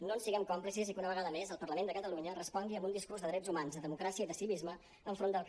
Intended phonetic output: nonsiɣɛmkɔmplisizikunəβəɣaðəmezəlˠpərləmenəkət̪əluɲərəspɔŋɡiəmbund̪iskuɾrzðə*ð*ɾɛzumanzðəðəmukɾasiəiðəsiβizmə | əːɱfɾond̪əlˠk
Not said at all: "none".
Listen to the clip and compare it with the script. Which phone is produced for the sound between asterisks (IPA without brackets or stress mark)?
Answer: ð